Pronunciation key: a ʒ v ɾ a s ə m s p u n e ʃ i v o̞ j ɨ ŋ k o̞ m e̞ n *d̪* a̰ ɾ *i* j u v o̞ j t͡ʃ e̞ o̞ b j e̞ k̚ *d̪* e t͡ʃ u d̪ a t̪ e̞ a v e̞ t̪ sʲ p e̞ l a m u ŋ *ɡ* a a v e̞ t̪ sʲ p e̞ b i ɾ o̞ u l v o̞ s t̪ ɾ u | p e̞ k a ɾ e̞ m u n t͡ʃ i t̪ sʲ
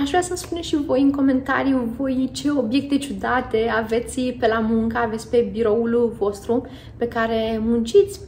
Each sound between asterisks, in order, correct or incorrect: incorrect: t̪, correct, incorrect: t̪, incorrect: k

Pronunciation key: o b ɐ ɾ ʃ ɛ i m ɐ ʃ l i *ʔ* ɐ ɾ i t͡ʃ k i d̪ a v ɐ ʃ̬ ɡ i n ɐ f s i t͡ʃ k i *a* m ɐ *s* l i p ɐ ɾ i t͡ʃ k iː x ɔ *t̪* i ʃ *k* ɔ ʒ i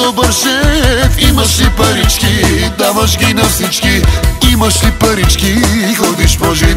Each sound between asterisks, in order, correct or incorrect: incorrect: p, incorrect: i, incorrect: ʃ, incorrect: d̪, incorrect: p

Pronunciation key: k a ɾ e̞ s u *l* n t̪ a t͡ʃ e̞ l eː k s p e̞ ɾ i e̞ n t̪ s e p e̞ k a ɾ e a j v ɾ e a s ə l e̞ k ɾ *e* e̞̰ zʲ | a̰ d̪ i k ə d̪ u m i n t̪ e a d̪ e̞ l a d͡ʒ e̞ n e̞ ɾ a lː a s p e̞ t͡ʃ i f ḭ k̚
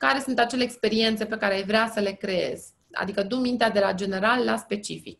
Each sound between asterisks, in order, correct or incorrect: incorrect: none, correct

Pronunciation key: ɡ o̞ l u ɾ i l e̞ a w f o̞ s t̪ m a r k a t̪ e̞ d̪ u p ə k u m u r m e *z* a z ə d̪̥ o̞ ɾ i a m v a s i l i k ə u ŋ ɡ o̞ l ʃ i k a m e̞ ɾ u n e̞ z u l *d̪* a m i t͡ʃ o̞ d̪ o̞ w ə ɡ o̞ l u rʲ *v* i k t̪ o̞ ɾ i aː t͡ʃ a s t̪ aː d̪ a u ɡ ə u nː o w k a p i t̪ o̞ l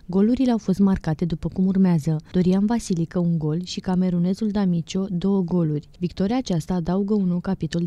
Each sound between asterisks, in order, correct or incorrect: incorrect: none, correct, correct

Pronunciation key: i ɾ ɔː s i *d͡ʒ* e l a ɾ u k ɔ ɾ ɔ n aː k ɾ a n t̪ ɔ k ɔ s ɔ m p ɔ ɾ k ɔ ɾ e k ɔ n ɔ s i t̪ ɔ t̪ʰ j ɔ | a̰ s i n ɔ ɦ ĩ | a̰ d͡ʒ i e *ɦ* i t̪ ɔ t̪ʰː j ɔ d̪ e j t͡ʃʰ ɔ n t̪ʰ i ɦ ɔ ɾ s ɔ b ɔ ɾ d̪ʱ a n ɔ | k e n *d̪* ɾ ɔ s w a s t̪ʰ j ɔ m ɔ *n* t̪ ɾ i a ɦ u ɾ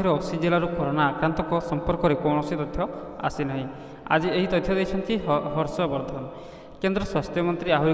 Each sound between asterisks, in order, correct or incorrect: correct, correct, correct, correct

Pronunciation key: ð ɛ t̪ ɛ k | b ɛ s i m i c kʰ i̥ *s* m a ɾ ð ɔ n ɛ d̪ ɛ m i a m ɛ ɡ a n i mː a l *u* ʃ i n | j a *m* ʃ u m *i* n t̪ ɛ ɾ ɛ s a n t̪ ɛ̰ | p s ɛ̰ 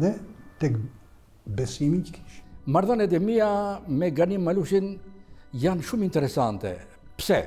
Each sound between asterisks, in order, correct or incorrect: incorrect: ʃ, correct, incorrect: n, correct

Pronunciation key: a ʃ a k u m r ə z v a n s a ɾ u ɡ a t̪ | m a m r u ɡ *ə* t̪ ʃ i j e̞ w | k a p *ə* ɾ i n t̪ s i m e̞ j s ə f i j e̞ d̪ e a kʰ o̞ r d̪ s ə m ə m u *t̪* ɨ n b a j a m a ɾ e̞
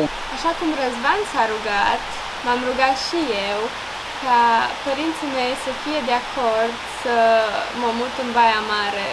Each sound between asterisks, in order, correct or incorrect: incorrect: a, correct, correct

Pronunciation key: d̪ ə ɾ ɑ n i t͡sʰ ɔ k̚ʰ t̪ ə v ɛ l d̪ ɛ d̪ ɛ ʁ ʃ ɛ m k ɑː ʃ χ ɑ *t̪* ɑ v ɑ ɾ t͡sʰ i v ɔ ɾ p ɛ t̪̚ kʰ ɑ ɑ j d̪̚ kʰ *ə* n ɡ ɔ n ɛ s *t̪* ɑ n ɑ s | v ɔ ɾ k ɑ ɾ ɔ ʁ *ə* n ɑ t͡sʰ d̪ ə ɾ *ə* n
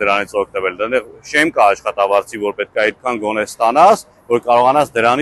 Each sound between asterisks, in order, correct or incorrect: correct, incorrect: ɑ, correct, incorrect: ɑ, incorrect: ɑ

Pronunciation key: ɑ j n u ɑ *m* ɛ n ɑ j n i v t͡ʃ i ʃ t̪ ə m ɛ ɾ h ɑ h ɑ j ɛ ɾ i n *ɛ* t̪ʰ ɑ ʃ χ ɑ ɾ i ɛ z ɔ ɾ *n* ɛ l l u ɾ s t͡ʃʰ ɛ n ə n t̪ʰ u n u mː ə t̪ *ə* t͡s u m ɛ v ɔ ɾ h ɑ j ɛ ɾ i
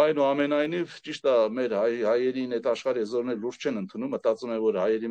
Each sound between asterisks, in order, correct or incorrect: correct, correct, correct, incorrect: ɑ

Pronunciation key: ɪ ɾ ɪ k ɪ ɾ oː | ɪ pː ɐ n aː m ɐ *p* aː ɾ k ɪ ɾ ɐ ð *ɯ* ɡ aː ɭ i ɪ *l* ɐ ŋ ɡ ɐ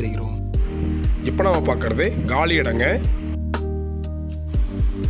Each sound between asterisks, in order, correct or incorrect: correct, correct, incorrect: ɽ

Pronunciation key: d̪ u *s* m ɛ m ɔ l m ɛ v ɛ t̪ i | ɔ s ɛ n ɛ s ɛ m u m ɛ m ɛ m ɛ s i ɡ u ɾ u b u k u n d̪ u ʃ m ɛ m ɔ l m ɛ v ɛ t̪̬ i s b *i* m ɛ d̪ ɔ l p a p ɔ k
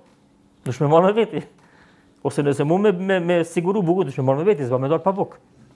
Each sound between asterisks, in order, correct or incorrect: incorrect: ʃ, incorrect: a

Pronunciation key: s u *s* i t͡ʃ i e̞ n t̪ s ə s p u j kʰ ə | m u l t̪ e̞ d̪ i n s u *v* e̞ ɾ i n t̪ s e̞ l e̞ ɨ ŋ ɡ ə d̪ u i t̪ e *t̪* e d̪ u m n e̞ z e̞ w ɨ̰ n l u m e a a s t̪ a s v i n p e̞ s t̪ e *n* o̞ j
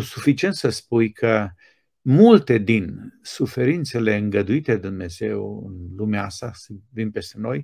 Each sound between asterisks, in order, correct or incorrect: incorrect: f, incorrect: f, incorrect: d̪, correct

